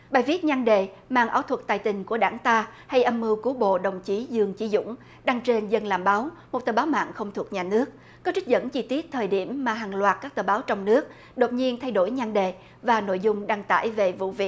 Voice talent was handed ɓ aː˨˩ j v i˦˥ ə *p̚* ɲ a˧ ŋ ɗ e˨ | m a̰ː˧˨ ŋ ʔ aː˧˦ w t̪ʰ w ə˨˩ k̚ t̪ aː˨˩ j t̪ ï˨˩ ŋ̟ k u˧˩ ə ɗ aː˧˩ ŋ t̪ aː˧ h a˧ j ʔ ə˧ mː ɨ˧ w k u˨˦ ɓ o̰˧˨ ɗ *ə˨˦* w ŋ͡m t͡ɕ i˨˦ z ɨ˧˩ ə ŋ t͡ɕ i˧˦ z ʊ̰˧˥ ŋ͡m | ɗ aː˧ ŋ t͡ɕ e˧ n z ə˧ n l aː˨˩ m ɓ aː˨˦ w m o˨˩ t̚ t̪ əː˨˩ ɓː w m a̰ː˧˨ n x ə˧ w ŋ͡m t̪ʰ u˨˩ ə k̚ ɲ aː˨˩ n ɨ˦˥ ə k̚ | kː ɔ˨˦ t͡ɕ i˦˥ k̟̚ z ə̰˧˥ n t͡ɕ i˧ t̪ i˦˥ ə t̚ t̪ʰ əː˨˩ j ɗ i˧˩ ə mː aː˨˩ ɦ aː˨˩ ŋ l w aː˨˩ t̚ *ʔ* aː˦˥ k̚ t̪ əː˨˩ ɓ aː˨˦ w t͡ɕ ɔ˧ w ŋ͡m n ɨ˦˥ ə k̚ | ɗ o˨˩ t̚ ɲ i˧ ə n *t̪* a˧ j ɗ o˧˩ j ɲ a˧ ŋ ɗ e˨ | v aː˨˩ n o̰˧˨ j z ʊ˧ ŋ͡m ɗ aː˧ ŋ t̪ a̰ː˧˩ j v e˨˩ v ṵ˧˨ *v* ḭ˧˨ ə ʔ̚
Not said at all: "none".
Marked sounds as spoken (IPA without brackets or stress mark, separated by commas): t̚, ə˨˩, k, t̪ʰ, v